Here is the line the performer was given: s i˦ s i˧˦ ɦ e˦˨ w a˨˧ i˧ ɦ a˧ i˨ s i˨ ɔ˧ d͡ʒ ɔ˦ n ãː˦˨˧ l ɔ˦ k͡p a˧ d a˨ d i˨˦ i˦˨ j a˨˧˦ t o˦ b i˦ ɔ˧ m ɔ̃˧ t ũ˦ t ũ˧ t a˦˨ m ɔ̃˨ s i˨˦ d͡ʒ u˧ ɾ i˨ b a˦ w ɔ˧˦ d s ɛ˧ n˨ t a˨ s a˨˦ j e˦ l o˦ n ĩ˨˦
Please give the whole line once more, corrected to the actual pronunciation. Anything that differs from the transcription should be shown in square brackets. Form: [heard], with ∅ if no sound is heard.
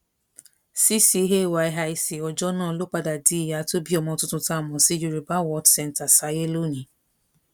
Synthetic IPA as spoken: s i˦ s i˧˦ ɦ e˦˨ w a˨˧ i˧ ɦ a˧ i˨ s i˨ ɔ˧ d͡ʒ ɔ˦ n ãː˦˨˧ l [o˦] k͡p a˧ d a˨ d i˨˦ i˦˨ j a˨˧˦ t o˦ b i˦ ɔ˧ m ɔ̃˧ t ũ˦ t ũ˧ t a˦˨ m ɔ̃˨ s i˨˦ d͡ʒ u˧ ɾ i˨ b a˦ w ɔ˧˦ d s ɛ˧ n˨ t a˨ s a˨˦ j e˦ l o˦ n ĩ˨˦

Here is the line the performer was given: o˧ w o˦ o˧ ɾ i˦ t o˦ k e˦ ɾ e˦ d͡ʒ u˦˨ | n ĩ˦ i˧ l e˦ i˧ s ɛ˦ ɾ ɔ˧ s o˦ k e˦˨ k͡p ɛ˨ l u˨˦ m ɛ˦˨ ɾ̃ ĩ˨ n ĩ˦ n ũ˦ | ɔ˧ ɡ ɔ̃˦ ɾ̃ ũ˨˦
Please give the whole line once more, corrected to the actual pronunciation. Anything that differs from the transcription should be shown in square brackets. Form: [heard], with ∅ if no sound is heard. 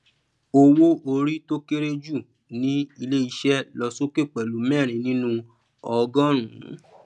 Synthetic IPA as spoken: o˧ w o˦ o˧ ɾ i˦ t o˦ k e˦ ɾ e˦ d͡ʒ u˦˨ | n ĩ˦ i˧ l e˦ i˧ [ʃ] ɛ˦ [l] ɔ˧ s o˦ k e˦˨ k͡p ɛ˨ l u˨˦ m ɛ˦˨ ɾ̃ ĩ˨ n ĩ˦ n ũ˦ | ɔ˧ ɡ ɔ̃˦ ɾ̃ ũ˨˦

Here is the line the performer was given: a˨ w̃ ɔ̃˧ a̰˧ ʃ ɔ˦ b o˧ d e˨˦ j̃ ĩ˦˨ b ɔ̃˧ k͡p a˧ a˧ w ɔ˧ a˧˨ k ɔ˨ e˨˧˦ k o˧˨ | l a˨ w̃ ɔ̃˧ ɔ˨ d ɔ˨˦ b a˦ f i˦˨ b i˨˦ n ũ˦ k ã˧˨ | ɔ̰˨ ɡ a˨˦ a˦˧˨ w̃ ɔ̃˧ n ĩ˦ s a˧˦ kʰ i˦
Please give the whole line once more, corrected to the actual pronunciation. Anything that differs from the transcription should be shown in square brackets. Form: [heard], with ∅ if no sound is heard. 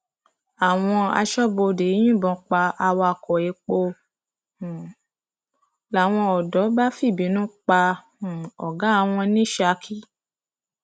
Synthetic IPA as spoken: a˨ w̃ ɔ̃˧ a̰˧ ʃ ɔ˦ b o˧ d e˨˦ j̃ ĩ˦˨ b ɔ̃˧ k͡p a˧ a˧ w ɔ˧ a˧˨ k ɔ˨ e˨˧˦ [k͡p] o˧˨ | l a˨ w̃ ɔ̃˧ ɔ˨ d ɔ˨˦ b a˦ f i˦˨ b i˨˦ n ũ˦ [k͡p] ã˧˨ | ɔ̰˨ ɡ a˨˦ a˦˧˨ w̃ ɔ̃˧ n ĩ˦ [ʃ] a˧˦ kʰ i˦

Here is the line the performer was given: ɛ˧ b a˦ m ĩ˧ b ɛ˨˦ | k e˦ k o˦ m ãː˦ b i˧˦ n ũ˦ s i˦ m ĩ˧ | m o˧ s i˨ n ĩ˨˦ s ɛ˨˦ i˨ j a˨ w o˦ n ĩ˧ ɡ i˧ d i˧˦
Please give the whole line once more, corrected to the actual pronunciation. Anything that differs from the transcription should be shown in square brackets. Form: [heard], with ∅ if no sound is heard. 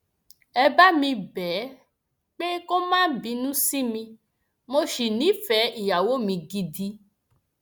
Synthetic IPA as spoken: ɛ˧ b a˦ m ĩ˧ b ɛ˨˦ | [k͡p] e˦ k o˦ m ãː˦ b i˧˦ n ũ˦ s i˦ m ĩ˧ | m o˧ [ʃ] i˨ n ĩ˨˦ [f] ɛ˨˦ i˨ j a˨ w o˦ [m] ĩ˧ ɡ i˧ d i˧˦

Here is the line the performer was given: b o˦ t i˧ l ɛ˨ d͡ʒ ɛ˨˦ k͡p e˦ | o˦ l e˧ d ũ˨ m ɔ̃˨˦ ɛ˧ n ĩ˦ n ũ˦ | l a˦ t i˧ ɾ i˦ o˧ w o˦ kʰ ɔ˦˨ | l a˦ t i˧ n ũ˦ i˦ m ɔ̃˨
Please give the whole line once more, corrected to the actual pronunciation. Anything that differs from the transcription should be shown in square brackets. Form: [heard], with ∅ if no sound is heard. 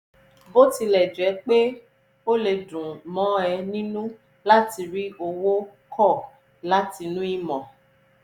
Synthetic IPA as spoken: b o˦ t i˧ l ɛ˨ d͡ʒ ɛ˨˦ k͡p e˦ | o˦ l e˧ d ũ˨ m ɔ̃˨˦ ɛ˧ n ĩ˦ n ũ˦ | l a˦ t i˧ ɾ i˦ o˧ w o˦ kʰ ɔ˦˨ | l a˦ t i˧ n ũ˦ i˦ m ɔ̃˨

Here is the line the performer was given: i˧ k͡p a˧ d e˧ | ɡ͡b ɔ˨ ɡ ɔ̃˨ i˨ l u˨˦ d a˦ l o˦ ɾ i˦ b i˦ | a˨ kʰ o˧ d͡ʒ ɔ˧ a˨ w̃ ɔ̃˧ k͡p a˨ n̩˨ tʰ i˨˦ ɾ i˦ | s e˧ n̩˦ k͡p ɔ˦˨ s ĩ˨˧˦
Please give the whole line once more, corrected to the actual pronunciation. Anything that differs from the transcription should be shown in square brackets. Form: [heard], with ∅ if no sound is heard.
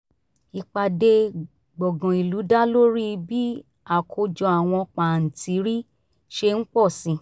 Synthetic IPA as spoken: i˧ k͡p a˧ d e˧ | ɡ͡b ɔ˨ ɡ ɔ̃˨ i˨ l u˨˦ d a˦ l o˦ ɾ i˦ b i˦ | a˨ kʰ o˧ d͡ʒ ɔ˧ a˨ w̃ ɔ̃˧ k͡p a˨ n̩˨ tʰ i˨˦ ɾ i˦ | [ʃ] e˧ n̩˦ k͡p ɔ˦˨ s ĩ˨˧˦

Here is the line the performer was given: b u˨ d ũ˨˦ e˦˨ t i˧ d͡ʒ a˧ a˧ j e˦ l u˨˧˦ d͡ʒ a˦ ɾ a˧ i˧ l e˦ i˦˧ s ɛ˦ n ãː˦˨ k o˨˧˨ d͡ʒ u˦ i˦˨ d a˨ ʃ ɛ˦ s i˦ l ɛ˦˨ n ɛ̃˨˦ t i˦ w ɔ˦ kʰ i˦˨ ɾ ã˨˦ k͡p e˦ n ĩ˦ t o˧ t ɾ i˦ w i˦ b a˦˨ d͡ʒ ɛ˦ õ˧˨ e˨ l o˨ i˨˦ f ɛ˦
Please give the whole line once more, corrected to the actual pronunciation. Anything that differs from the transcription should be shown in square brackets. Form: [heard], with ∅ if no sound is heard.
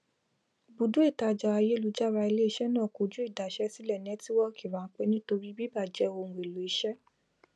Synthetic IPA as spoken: b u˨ d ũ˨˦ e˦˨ t [a˧] d͡ʒ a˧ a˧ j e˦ l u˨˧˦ d͡ʒ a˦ ɾ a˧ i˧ l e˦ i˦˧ [ʃ] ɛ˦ n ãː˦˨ k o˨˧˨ d͡ʒ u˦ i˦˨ d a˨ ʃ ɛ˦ s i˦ l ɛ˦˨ n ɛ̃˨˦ t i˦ w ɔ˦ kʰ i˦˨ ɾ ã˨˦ k͡p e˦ n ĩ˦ t o˧ [∅] ɾ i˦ [b] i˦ b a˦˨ d͡ʒ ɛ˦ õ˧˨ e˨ l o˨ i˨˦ [ʃ] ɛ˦

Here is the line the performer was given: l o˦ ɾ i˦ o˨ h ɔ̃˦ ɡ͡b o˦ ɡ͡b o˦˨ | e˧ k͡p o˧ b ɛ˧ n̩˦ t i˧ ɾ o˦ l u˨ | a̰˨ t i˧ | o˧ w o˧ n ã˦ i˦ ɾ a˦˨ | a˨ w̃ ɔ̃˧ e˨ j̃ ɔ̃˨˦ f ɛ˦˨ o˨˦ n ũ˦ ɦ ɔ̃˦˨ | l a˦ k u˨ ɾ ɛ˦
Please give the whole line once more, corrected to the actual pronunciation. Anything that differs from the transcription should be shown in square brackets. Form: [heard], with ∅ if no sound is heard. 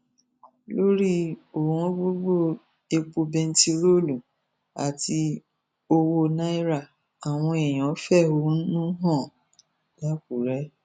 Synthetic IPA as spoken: l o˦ ɾ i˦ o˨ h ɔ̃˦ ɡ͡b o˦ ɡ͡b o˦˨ | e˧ k͡p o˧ b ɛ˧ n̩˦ t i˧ ɾ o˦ l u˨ | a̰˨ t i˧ | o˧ w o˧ n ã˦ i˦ ɾ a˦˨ | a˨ w̃ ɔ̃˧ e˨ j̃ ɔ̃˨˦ f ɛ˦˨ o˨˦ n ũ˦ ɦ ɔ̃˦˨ | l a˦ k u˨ ɾ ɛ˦

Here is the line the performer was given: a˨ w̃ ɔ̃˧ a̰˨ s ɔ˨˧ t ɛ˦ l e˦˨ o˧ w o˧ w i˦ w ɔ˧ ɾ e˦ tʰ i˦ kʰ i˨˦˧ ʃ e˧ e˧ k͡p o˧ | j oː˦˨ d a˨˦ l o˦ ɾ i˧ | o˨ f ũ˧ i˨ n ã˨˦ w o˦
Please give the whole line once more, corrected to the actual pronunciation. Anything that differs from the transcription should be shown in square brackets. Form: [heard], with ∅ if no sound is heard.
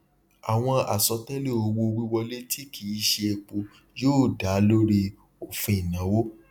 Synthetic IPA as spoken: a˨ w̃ ɔ̃˧ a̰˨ s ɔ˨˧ t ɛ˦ l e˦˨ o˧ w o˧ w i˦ w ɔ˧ [l] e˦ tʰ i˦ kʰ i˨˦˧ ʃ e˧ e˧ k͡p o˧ | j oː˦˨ d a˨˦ l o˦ ɾ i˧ | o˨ f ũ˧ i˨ n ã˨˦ w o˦

